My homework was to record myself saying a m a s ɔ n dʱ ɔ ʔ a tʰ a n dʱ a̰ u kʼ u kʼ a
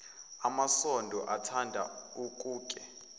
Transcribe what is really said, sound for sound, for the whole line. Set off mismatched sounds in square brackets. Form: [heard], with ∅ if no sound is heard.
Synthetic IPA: a m a s ɔ n dʱ ɔ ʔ a tʰ a n dʱ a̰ u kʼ [uː] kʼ [ɛ]